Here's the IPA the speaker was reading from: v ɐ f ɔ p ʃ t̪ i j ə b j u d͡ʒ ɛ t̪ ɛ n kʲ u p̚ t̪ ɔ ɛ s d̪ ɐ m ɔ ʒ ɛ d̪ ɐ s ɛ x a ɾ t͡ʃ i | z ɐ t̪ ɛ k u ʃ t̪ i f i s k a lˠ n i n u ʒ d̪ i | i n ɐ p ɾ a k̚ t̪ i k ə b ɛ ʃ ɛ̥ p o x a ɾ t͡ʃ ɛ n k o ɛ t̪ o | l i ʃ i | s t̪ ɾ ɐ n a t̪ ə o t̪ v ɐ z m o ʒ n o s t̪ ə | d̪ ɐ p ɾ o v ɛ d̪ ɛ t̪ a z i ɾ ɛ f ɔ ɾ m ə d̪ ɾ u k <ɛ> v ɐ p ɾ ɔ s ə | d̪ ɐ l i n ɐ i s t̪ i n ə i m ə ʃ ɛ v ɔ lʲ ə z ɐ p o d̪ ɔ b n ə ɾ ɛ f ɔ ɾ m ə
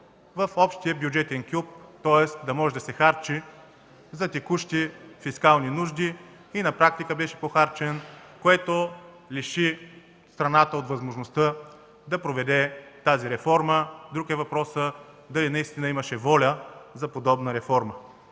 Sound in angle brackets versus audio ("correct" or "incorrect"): correct